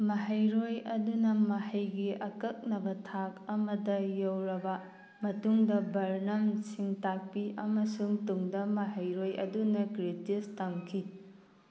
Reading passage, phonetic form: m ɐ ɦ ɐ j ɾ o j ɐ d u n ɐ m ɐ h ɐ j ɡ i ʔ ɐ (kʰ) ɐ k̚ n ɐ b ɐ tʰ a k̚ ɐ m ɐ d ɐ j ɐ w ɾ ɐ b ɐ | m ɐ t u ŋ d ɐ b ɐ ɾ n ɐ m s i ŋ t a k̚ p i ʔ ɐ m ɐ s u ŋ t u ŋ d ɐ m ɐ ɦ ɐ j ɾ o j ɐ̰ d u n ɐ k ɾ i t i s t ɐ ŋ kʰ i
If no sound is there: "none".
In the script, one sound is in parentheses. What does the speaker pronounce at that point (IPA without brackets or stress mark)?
k